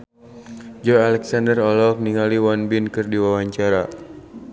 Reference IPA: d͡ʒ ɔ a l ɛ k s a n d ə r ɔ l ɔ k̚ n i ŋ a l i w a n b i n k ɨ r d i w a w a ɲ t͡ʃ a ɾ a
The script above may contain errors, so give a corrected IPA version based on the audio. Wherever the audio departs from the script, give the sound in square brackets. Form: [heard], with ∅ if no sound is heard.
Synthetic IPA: d͡ʒ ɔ a l ɛ k s a n d ə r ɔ l ɔ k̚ n i ŋ a l i w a n b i n k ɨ r d i w a w a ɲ t͡ʃ a ɾ a